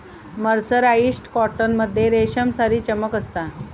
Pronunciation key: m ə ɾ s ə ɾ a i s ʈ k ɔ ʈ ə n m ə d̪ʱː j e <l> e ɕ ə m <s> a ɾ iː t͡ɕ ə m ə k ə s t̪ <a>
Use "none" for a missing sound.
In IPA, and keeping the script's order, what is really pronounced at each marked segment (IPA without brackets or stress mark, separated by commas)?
ɾ, s, a